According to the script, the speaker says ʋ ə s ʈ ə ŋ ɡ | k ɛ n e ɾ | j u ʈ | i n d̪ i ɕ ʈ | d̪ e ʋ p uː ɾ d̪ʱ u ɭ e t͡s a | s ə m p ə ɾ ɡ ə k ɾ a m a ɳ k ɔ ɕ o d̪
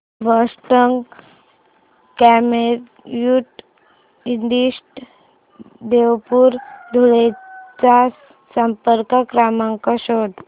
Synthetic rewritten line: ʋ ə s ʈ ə ŋ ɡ | k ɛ m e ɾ | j u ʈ | i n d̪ i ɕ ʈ | d̪ e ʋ p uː ɾ d̪ʱ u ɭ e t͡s a | s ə m p ə ɾ k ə k ɾ a m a ŋ k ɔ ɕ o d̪